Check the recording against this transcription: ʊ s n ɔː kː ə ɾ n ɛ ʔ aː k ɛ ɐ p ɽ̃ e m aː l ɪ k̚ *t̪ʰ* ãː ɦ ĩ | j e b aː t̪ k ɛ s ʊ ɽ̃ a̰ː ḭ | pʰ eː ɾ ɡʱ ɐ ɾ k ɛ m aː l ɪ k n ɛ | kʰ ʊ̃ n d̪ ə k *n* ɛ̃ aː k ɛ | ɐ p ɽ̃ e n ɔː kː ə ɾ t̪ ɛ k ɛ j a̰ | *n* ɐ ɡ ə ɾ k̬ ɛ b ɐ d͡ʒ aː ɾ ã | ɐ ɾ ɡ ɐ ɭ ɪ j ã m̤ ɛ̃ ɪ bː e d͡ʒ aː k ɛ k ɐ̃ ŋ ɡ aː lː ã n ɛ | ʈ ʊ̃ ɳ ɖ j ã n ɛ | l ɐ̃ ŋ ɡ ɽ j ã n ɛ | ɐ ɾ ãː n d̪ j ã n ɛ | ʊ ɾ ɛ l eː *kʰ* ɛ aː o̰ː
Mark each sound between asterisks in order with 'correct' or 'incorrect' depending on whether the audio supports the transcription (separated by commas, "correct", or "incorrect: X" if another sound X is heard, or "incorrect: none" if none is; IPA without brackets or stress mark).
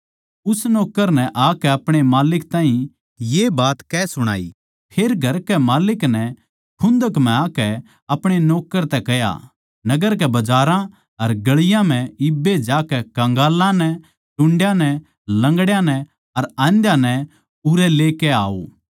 incorrect: t̪, incorrect: m, correct, incorrect: k